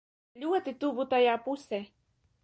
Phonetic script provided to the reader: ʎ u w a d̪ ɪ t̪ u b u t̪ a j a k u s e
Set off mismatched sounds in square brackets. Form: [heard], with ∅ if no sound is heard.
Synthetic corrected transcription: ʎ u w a [t̪] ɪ t̪ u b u t̪ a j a [p] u s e